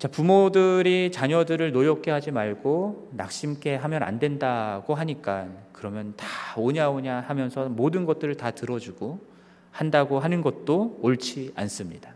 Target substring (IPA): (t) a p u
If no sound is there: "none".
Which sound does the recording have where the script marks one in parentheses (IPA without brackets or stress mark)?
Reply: t͡ɕ